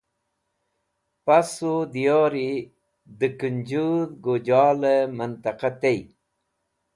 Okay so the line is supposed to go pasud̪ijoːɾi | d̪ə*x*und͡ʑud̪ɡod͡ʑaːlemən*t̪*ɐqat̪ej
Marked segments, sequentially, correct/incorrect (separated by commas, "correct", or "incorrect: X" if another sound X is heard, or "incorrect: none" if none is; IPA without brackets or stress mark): incorrect: k, correct